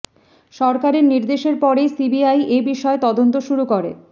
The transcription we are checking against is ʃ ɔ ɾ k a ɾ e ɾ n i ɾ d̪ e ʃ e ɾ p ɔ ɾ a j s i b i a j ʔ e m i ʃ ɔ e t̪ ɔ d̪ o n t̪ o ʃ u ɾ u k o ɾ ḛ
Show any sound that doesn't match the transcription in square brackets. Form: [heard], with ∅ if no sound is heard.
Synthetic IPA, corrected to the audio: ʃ ɔ ɾ k a ɾ e ɾ n i ɾ d̪ e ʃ e ɾ p ɔ ɾ [e] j s i b i a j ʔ e [b] i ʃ ɔ e t̪ ɔ d̪ o n t̪ o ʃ u ɾ u k o ɾ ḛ